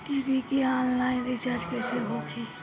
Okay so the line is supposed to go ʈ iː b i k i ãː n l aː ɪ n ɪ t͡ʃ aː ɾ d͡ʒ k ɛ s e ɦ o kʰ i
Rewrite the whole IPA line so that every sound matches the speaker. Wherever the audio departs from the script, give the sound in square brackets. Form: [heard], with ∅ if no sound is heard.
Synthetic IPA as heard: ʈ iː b i k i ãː n l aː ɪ n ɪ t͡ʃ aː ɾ d͡ʒ k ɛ s e ɦ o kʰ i